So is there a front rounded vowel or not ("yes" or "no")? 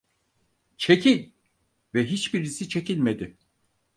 no